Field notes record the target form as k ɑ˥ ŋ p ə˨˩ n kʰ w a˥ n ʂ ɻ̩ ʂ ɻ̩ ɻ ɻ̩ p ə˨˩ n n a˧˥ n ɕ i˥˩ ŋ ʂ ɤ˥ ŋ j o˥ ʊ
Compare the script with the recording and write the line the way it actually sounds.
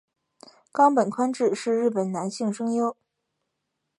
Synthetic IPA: k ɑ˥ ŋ p ə˨˩ n kʰ w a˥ n ʈ͡ʂ ɻ̩ ʂ ɻ̩ ɻ ɻ̩ p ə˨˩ n n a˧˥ n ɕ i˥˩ ŋ ʂ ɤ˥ ŋ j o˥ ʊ